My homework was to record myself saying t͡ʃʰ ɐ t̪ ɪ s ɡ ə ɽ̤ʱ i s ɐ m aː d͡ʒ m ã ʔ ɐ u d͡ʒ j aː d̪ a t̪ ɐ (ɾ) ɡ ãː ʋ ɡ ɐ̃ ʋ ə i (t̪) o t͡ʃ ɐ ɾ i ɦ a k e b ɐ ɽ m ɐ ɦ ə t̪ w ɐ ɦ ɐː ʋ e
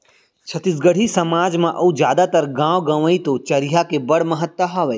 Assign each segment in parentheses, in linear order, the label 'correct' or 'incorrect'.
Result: correct, correct

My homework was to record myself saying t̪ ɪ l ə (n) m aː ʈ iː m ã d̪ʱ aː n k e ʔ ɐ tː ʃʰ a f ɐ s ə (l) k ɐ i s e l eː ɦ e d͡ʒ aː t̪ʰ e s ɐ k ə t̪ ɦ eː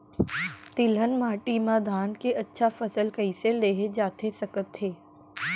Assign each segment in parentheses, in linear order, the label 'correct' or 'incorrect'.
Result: correct, correct

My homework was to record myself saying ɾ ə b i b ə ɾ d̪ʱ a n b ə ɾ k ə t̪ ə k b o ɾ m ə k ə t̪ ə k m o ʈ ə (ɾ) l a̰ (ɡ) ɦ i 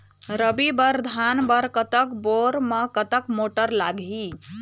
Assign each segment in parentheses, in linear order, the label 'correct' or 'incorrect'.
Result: correct, correct

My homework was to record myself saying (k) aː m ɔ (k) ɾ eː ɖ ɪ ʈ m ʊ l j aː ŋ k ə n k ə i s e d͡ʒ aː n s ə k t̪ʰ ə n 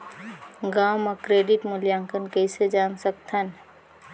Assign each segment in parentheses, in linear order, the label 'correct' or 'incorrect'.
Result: incorrect: ɡ, correct

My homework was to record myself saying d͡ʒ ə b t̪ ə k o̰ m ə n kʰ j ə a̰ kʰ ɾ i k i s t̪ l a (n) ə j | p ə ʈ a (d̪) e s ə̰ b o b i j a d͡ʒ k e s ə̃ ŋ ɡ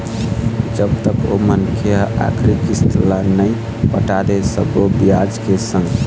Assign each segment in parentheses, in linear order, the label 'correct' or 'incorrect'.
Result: correct, correct

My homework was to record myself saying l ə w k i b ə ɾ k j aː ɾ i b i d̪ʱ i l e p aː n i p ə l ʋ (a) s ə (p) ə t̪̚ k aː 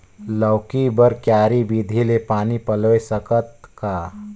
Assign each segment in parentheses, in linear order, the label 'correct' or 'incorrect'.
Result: incorrect: e, incorrect: k

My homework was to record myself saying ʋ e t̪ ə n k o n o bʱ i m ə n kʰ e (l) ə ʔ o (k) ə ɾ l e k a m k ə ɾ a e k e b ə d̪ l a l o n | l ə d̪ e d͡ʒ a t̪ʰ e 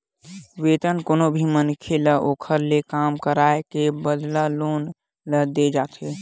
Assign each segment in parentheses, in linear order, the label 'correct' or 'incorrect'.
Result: correct, incorrect: kʰ

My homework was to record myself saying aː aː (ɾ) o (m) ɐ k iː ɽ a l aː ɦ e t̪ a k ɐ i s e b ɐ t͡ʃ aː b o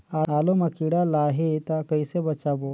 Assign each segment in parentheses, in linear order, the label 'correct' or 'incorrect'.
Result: incorrect: l, correct

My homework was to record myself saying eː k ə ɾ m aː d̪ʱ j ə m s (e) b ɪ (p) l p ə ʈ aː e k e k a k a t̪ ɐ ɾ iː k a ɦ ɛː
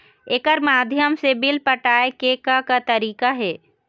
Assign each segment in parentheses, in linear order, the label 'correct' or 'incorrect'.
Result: correct, incorrect: none

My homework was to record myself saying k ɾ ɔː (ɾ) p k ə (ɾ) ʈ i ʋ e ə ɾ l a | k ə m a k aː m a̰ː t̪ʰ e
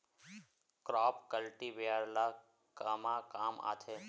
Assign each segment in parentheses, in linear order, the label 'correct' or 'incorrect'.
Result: incorrect: none, incorrect: l

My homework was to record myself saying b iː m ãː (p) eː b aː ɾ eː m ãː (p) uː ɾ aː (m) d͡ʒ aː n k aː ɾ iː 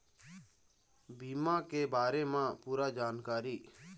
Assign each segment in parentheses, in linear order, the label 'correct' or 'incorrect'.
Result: incorrect: k, correct, incorrect: none

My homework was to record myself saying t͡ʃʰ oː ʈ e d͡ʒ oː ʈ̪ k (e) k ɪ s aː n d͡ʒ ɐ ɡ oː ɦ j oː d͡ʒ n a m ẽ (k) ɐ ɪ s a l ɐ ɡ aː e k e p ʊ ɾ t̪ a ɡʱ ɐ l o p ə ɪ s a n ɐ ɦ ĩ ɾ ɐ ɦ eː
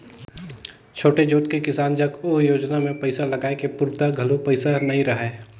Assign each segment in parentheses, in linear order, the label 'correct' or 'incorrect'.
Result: correct, incorrect: p

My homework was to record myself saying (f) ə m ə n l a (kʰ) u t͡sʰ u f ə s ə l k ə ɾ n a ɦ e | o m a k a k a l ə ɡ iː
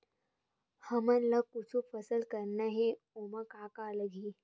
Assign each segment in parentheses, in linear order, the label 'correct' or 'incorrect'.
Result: incorrect: h, incorrect: k

